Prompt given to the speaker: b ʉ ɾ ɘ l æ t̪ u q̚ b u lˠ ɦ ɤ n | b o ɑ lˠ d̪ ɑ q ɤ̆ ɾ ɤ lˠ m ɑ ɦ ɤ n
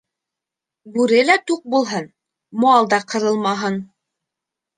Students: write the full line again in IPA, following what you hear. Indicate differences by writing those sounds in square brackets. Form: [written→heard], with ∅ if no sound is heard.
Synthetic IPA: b ʉ ɾ ɘ l æ t̪ u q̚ b u lˠ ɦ ɤ n | [b→m] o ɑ lˠ d̪ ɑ q ɤ̆ ɾ ɤ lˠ m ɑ ɦ ɤ n